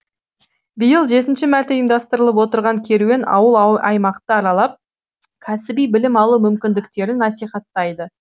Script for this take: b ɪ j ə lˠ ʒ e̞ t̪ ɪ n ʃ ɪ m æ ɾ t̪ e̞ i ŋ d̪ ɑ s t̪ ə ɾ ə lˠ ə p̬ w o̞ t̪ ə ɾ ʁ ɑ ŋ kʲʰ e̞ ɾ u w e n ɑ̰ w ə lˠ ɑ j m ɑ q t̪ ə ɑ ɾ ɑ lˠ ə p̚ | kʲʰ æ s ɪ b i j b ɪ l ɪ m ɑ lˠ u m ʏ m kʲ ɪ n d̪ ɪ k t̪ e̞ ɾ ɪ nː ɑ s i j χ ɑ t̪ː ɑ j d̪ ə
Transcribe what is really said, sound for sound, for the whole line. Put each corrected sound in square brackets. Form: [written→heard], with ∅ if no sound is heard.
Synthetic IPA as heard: b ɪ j ə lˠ ʒ e̞ t̪ ɪ n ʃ ɪ m æ ɾ t̪ e̞ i [ŋ→m] d̪ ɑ s t̪ ə ɾ ə lˠ ə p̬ w o̞ t̪ ə ɾ ʁ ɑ ŋ kʲʰ e̞ ɾ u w e n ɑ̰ w ə lˠ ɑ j m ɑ q t̪ ə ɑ ɾ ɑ lˠ [ə→ɑ] p̚ | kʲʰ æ s ɪ b i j b ɪ l ɪ m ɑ lˠ u m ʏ m kʲ ɪ n d̪ ɪ k t̪ e̞ ɾ ɪ nː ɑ s i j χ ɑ t̪ː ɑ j d̪ ə